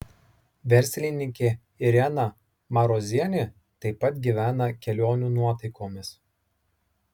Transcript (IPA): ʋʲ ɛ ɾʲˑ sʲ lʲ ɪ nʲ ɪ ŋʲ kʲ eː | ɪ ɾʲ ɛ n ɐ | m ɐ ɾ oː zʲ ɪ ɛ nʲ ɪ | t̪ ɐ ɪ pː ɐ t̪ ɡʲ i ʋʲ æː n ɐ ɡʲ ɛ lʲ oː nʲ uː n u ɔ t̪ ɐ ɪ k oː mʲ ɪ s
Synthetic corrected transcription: ʋʲ ɛ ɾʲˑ sʲ lʲ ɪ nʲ ɪ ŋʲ kʲ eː | ɪ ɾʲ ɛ n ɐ | m ɐ ɾ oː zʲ i ɛ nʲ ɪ | t̪ ɐ ɪ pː ɐ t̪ ɡʲ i ʋʲ æː n ɐ kʲ ɛ lʲ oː nʲ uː n u ɔ t̪ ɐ ɪ k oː mʲ ɪ s